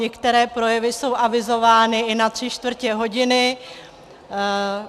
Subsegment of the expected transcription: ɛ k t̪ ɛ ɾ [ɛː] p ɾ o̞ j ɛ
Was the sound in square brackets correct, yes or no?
yes